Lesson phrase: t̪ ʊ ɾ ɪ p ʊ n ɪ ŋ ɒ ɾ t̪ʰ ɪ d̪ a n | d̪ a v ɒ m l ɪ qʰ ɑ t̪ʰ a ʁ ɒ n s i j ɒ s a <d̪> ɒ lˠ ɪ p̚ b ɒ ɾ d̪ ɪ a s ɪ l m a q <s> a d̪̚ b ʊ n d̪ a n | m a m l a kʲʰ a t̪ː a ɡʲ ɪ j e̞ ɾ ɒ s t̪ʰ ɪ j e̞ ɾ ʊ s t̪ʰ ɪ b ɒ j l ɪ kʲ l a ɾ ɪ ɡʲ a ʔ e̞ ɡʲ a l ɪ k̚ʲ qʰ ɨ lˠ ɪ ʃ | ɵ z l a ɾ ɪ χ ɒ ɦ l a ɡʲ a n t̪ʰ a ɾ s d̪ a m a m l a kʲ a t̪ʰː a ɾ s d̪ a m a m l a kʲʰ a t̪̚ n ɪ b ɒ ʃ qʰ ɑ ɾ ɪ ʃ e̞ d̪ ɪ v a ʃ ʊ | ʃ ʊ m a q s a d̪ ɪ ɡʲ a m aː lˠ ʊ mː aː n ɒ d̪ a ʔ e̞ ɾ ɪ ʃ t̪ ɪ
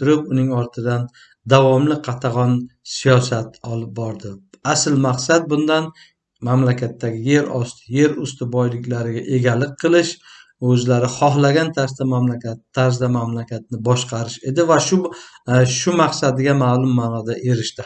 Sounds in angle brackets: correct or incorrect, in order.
incorrect: t̪, correct

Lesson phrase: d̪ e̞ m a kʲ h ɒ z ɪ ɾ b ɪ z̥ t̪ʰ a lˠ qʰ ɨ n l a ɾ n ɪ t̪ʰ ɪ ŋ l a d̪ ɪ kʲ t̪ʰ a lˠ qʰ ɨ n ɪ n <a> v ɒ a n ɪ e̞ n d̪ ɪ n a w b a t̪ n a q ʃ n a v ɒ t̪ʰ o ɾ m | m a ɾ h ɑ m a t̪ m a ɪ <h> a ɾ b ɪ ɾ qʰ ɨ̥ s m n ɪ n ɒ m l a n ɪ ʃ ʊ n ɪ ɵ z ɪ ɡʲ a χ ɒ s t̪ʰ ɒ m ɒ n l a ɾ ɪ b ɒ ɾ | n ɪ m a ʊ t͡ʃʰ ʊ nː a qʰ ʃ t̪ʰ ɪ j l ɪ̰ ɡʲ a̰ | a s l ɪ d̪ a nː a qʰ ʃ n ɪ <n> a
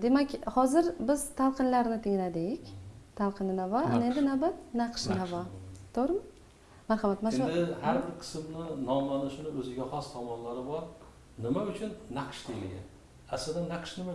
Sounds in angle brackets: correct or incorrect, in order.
correct, correct, incorrect: m

